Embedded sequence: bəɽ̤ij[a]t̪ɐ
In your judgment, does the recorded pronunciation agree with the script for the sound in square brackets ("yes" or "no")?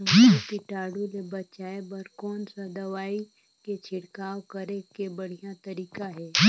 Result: yes